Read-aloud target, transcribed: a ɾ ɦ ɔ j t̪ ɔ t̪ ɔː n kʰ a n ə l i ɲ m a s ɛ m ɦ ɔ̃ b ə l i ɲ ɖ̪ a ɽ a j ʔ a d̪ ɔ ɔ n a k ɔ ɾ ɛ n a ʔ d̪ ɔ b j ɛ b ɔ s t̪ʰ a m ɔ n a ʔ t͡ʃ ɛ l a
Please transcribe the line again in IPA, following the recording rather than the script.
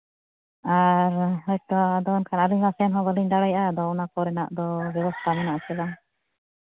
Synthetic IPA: a ɾ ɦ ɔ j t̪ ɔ d̪ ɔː n kʰ a n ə l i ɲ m a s ɛ n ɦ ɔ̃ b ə l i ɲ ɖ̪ a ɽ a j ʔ a d̪ ɔ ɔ n a k ɔ ɾ ɛ n a ʔ d̪ ɔ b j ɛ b ɔ s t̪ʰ a m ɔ n a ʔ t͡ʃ ɛ l a